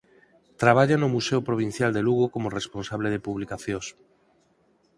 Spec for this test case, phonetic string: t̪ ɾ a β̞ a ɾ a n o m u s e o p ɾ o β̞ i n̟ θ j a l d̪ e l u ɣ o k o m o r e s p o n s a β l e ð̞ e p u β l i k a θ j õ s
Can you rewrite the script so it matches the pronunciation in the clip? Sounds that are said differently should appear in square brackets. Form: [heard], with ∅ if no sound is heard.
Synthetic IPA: t̪ ɾ a β̞ a [ʎ] a n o m u s e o p ɾ o β̞ i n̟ θ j a l d̪ e l u ɣ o k o m o r e s p o n s a β l e ð̞ e p u β l i k a θ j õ s